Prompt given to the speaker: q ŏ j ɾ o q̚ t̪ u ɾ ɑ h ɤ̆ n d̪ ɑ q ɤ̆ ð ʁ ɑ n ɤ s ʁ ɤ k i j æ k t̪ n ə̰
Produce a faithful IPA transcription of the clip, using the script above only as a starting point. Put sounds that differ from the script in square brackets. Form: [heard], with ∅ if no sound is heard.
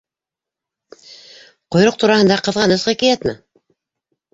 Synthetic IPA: q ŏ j ɾ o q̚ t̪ u ɾ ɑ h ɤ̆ n d̪ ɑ q ɤ̆ ð ʁ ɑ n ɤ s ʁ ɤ k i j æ [∅] t̪ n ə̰